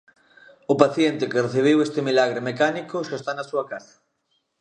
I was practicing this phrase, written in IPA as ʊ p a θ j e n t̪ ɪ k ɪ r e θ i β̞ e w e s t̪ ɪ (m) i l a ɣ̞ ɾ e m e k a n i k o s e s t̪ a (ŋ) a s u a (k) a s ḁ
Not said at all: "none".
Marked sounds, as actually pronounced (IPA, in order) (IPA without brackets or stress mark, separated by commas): m, n, k